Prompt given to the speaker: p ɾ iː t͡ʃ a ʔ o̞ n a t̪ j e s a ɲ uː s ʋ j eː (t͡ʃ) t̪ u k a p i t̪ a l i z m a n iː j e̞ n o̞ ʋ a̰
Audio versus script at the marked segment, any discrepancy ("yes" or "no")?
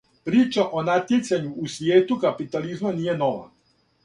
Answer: yes